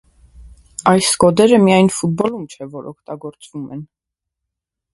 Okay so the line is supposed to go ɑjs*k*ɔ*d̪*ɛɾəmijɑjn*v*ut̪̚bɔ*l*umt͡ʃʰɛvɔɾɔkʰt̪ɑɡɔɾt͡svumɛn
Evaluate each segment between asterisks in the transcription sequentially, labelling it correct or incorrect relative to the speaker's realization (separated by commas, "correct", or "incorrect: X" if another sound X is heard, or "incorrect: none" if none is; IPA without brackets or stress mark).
correct, correct, incorrect: f, correct